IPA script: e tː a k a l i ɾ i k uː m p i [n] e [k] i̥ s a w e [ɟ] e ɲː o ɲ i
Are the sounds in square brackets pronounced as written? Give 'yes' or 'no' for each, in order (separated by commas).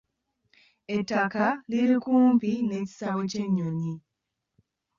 yes, no, no